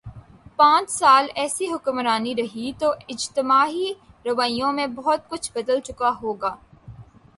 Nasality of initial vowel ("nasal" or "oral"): nasal